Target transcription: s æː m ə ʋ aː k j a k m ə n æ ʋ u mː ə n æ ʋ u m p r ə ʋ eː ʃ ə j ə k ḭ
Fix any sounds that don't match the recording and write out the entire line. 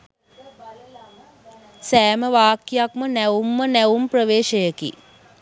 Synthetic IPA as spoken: s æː m ə ʋ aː k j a k m ə n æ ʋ u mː ə n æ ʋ u m p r ə ʋ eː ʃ ə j ə k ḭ